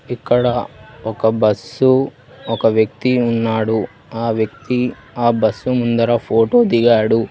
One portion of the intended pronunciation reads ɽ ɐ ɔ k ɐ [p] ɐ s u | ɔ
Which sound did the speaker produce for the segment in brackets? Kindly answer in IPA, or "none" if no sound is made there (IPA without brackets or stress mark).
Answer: b